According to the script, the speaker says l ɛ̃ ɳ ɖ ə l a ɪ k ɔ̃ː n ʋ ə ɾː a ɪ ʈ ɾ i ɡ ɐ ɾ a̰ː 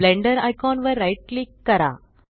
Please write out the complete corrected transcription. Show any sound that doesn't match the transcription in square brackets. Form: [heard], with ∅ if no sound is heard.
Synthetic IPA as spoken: l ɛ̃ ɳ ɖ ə [ɾ] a ɪ k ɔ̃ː n ʋ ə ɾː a ɪ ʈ [l] i [k] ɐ ɾ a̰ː